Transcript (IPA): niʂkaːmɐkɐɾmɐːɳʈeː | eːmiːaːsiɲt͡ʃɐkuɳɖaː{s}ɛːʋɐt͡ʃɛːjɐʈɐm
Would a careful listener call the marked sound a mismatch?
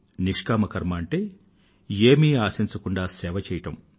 no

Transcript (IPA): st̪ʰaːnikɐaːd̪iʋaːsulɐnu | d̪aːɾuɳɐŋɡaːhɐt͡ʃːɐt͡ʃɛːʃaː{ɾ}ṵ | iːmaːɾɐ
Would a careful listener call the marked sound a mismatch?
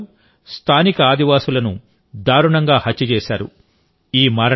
no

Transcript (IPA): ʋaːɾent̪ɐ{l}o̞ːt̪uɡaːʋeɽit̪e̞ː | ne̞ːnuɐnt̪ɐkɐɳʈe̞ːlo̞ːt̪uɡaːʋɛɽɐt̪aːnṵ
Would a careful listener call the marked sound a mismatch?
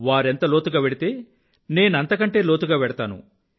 no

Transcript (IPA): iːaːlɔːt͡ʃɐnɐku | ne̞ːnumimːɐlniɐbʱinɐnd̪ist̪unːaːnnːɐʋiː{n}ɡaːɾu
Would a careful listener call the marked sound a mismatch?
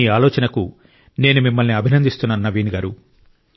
no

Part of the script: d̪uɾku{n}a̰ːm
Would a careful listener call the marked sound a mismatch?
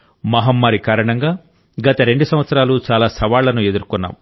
yes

